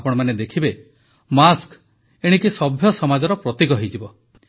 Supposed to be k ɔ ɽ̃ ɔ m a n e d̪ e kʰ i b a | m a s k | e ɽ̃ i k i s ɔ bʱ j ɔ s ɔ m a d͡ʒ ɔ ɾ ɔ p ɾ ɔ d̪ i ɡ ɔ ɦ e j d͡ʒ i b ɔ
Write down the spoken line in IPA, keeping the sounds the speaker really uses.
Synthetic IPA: p ɔ ɽ̃ ɔ m a n e d̪ e kʰ i b e | m a s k | e ɽ̃ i k i s ɔ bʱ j ɔ s ɔ m a d͡ʒ ɔ ɾ ɔ p ɾ ɔ t̪ i ɡ ɔ ɦ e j d͡ʒ i b ɔ